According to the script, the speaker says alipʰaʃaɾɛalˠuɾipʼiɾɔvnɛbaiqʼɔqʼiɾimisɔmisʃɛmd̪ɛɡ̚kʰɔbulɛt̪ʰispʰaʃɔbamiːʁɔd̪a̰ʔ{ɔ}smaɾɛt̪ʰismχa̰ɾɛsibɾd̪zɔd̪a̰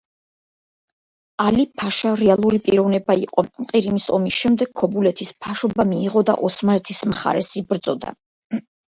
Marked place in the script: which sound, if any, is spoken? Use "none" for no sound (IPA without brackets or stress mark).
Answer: ɔ